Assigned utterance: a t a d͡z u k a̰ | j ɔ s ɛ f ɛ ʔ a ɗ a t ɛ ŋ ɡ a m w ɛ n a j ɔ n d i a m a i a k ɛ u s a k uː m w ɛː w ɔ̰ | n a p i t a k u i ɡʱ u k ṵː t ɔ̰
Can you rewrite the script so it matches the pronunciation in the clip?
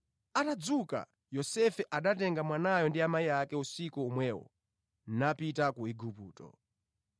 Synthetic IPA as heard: a t a d͡z u k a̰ | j ɔ s ɛ f ɛ ʔ a ɗ a t ɛ ŋ ɡ a m w a n a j ɔ n d i a m a i a k ɛ u s i k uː m w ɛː w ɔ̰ | n a p i t a k u i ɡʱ u p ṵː t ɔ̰